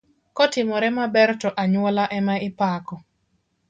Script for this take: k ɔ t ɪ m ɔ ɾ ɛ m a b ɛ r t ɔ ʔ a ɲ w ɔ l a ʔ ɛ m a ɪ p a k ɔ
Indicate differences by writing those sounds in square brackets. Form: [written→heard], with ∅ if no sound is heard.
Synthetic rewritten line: k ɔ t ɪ m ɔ ɾ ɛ m a b ɛ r t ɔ ʔ a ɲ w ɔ l a ʔ ɛ m a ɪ p a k ɔ

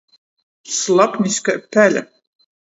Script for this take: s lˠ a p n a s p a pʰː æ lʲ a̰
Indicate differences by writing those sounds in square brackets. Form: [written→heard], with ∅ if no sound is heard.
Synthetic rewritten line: s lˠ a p n [a→i] s [p→k] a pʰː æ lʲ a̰

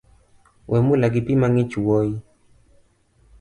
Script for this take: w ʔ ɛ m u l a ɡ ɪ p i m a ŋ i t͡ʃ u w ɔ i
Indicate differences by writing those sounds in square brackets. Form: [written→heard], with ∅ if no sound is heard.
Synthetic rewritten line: w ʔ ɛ m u l a ɡ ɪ p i m a ŋ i t͡ʃ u w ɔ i

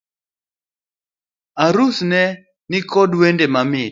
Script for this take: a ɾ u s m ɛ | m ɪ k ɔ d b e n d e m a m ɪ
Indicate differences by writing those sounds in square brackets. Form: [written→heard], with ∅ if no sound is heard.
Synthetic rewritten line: a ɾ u s [m→n] ɛ | [m→n] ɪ k ɔ d [b→w] e n d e m a m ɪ

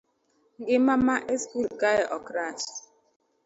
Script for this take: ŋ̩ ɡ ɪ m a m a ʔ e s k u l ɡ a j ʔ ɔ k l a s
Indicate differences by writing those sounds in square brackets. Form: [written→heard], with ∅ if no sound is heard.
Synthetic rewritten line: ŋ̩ ɡ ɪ m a m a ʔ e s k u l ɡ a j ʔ ɔ k [l→ɾ] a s

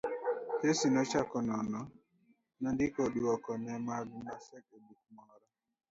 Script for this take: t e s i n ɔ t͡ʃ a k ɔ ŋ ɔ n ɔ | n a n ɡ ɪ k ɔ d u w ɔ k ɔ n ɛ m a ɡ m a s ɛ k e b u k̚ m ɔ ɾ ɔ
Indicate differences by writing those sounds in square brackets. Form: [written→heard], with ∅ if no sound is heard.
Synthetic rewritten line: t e s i n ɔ t͡ʃ a k ɔ [ŋ→n] ɔ n ɔ | n a n [ɡ→d] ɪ k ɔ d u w ɔ k ɔ n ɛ m a ɡ m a s ɛ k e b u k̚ m ɔ ɾ ɔ

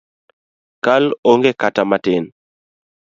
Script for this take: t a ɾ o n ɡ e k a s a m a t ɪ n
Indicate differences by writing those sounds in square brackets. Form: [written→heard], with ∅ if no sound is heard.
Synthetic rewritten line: [t→k] a [ɾ→l] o [n→ŋ] ɡ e k a [s→t] a m a t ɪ n

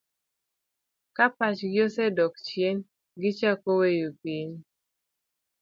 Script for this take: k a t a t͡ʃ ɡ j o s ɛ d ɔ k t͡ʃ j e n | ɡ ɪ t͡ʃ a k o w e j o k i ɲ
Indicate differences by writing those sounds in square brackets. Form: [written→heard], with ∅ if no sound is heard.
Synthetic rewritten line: k a [t→p] a t͡ʃ ɡ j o s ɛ d ɔ k t͡ʃ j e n | ɡ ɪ t͡ʃ a k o w e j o [k→p] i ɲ

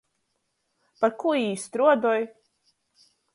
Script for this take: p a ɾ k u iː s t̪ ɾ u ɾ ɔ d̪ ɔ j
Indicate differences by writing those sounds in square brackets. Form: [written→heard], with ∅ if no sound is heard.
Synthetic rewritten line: p a ɾ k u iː s t̪ ɾ u [ɾ→∅] ɔ d̪ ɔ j

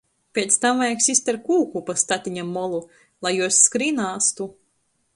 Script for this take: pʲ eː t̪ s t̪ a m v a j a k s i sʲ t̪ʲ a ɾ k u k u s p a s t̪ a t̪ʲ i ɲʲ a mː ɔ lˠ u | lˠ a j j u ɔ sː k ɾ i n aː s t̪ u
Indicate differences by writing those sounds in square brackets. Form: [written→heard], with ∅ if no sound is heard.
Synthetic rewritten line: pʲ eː t̪ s t̪ a m v a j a k s i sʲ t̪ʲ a ɾ k [u→uː] k u [s→∅] p a s t̪ a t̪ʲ i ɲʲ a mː ɔ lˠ u | lˠ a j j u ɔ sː k ɾ i n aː s t̪ u

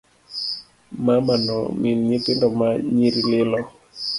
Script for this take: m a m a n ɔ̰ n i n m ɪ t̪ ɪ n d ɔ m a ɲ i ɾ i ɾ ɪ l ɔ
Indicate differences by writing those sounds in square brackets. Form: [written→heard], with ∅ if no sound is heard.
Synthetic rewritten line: m a m a n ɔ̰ [n→m] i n [m→ɲ] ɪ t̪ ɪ n d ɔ m a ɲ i ɾ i [ɾ→l] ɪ l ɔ

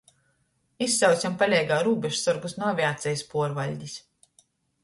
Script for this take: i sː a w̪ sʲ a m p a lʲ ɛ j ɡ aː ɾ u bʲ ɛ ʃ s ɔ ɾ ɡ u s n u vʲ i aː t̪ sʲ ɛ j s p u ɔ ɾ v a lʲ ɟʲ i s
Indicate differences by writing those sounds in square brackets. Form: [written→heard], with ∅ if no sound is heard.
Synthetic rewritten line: i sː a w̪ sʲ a m p a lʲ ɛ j ɡ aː ɾ [u→uː] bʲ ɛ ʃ s ɔ ɾ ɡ u s n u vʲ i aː t̪ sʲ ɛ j s p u ɔ ɾ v a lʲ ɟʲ i s

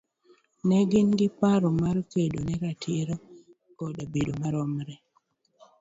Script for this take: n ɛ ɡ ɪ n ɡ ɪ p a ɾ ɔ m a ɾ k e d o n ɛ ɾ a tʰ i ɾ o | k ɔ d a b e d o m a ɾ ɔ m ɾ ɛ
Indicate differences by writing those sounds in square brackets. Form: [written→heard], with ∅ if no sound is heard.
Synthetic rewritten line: n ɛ ɡ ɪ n ɡ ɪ p a ɾ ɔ m a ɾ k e d o n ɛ ɾ a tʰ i ɾ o | k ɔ d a b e d o m a ɾ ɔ m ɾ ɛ

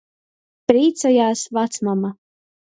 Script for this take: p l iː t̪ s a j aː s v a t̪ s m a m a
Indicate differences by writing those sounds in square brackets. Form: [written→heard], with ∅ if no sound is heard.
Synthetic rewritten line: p [l→ɾ] iː t̪ s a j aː s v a t̪ s m a m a

